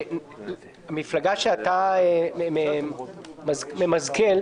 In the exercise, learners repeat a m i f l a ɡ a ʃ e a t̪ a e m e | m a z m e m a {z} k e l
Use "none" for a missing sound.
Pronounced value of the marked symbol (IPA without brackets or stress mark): z